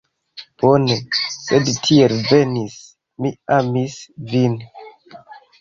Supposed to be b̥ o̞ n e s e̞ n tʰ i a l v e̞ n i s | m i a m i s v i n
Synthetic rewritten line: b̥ o̞ n e s e̞ d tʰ i e l v e̞ n i s | m i a m i s v i n